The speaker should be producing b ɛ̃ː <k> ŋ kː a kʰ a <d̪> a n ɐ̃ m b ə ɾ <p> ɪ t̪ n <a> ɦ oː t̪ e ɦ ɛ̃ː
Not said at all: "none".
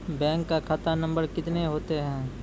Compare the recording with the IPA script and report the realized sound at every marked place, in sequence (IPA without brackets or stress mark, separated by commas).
none, t̪, k, e